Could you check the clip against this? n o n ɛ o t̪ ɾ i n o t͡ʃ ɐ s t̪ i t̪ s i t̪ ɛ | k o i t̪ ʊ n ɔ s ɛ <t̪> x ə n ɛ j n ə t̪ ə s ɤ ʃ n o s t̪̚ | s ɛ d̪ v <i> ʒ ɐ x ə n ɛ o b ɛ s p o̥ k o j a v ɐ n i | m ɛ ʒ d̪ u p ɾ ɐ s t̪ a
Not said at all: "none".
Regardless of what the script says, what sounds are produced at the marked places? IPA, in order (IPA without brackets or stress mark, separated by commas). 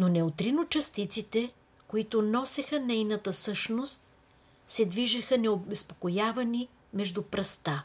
none, i